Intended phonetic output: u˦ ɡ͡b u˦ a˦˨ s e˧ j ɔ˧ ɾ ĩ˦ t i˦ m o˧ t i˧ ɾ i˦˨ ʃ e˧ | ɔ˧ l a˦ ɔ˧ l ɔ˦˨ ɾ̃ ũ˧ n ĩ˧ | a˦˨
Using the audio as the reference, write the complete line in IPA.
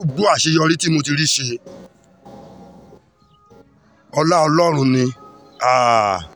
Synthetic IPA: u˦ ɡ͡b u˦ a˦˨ ʃ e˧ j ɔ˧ ɾ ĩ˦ t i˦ m o˧ t i˧ ɾ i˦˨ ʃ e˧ | ɔ˧ l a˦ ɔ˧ l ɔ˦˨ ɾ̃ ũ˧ n ĩ˧ | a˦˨